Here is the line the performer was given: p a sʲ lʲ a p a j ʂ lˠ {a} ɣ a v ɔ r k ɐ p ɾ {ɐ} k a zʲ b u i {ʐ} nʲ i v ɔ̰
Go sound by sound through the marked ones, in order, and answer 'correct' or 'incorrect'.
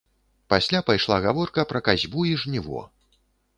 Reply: correct, correct, correct

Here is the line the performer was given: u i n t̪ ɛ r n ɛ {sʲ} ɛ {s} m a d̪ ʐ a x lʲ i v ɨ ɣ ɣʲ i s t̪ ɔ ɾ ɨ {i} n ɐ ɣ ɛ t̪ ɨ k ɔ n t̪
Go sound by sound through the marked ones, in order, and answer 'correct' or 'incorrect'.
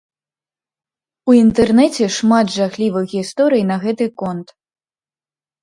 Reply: incorrect, incorrect, incorrect

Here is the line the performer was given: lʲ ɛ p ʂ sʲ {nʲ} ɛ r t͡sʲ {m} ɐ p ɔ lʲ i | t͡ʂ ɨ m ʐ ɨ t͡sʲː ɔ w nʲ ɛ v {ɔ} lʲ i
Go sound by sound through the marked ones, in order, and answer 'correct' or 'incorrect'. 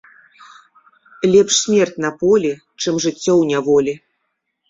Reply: incorrect, incorrect, correct

